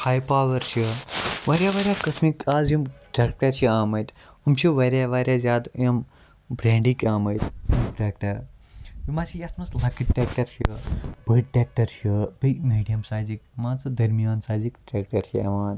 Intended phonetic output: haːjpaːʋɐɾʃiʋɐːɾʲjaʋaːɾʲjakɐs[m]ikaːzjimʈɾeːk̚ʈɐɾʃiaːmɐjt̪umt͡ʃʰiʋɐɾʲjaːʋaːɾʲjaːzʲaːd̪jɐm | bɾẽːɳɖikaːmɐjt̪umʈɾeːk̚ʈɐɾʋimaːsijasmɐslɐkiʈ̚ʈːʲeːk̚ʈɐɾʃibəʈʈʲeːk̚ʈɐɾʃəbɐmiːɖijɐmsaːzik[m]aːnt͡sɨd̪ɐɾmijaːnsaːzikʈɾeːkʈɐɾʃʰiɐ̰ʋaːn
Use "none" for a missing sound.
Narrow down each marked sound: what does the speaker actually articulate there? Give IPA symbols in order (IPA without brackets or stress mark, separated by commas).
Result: m, m